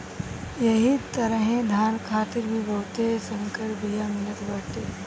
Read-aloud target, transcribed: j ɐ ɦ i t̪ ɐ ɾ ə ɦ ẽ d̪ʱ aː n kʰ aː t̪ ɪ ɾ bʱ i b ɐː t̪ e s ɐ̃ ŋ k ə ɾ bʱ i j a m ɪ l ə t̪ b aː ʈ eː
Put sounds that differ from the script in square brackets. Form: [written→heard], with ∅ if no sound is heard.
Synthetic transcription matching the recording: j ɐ ɦ i t̪ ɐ ɾ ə ɦ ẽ d̪ʱ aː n kʰ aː t̪ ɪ ɾ bʱ i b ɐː t̪ e s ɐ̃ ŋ k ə ɾ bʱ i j a m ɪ l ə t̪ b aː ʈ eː